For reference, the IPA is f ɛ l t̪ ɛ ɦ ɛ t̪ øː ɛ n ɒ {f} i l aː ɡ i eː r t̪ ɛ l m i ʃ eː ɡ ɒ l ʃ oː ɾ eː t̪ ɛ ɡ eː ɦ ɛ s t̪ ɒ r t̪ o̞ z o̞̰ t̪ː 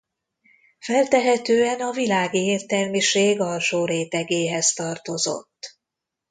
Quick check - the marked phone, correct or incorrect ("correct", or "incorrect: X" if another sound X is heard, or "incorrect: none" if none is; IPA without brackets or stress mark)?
incorrect: v